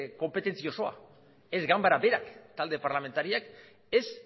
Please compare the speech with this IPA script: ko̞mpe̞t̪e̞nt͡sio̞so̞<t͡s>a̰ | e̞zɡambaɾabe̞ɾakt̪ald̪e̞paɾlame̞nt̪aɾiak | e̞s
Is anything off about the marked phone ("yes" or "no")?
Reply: yes